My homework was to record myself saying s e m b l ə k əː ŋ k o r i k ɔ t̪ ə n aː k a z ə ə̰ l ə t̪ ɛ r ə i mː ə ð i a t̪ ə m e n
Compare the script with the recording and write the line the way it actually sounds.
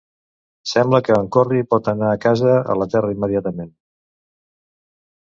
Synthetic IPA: s ɛ m b l ə k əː ŋ k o r i p ɔ t̪ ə n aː k a z ə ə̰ l ə t̪ ɛ r ə i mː ə ð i a t̪ ə m e n